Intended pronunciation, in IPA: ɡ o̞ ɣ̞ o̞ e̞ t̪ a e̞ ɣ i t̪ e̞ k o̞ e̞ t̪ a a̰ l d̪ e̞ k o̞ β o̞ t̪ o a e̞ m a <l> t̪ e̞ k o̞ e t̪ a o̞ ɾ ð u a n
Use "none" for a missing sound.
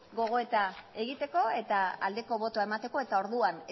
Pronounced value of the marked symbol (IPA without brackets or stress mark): none